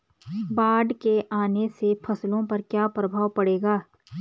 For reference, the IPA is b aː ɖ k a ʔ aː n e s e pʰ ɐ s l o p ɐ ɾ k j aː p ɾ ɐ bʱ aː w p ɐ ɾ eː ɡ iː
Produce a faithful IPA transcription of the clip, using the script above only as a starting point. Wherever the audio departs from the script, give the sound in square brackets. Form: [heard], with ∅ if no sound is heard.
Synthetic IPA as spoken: b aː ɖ k [e] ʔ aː n e s e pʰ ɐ s l [õ] p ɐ ɾ k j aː p ɾ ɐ bʱ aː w p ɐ [ɽ] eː ɡ [aː]